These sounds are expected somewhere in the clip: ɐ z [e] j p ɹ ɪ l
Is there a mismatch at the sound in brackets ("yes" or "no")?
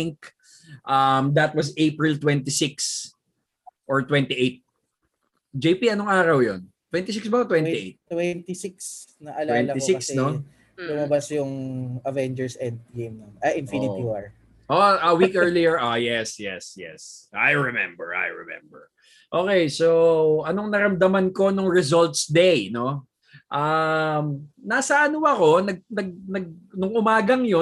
no